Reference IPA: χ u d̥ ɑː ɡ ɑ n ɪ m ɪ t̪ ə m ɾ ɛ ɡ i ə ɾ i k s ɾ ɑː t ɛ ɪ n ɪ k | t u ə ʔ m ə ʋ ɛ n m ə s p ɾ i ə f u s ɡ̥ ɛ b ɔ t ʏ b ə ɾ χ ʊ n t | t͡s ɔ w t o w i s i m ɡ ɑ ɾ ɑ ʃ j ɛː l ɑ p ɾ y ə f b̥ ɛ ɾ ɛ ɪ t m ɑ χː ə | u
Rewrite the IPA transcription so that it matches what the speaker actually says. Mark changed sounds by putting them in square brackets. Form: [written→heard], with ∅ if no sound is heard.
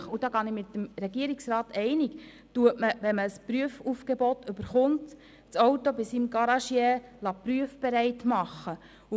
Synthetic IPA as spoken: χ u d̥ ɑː ɡ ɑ n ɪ m ɪ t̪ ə m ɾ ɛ ɡ i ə ɾ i k s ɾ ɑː t ɛ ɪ n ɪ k | t u ə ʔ m ə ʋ ɛ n m ə s p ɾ [i→y] ə f u [s→f] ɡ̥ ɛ b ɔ t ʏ b ə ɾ χ ʊ n t | t͡s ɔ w t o [w→b] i s i m ɡ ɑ ɾ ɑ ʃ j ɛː l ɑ p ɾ y ə f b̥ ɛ ɾ ɛ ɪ t m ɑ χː ə | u

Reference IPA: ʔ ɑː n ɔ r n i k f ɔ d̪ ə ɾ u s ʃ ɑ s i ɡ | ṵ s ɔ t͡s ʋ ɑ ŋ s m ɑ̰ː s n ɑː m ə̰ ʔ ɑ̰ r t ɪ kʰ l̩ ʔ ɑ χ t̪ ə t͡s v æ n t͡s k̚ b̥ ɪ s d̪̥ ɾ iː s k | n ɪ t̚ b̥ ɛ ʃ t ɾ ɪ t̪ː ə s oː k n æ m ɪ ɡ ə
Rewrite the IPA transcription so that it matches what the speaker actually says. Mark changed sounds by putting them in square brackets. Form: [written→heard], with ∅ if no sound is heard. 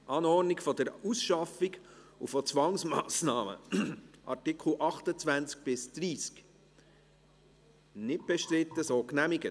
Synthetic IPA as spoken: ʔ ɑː n ɔ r n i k f ɔ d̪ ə ɾ u s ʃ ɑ [s→f] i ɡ | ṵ [s→f] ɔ t͡s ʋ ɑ ŋ s m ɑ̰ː s n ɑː m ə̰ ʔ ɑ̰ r t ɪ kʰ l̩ ʔ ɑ χ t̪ ə t͡s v æ n t͡s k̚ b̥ ɪ s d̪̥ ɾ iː s k | n ɪ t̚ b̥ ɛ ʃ t ɾ ɪ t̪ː ə s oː k n æ m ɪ ɡ ə

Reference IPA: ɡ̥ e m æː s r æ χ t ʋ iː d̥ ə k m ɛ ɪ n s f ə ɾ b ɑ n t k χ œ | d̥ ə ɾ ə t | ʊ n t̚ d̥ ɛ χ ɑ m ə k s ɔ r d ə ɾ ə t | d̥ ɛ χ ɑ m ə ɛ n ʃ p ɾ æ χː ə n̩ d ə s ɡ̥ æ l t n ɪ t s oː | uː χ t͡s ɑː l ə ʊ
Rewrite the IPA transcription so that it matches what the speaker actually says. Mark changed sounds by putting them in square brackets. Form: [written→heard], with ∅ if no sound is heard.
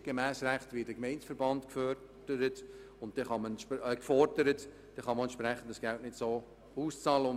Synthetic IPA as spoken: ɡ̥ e m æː s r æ χ t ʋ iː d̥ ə k m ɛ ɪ n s f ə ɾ b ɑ n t k [χ→f] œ | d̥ ə ɾ ə t | ʊ n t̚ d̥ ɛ χ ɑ m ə k [s→f] ɔ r d ə ɾ ə t | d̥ ɛ χ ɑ m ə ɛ n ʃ p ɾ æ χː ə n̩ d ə s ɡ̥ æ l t n ɪ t s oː | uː [χ→s] t͡s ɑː l ə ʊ

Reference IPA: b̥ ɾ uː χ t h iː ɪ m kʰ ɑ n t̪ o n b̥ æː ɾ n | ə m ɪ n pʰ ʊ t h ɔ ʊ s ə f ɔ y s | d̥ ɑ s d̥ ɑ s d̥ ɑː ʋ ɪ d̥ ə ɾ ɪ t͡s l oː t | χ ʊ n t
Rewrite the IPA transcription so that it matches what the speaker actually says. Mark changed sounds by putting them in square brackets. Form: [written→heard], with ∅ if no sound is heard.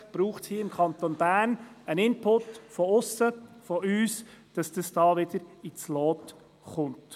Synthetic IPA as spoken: b̥ ɾ uː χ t h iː ɪ m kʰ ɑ n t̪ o n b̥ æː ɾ n | ə [m→n] ɪ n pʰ ʊ t [h→f] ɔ ʊ s ə f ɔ [y→yː] s | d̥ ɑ s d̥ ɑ s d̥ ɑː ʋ ɪ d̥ ə ɾ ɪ t͡s l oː t | χ ʊ n t

